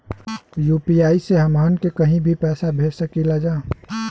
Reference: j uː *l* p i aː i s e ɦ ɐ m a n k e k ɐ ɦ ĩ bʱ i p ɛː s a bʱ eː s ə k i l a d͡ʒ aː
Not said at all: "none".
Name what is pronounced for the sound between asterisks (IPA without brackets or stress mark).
none